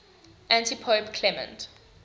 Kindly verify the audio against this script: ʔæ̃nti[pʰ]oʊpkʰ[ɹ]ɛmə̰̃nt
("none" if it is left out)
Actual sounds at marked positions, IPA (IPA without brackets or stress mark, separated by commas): pʰ, l